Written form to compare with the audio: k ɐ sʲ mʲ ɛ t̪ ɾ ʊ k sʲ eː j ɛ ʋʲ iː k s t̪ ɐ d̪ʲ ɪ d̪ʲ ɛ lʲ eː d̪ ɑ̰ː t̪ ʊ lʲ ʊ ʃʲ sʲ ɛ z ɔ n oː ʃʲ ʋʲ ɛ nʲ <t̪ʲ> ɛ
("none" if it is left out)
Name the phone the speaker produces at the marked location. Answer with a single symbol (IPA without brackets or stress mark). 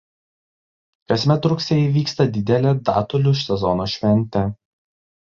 t̪ʲ